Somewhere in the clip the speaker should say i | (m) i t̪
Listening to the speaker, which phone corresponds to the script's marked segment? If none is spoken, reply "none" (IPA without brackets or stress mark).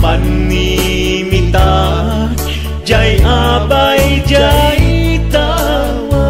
m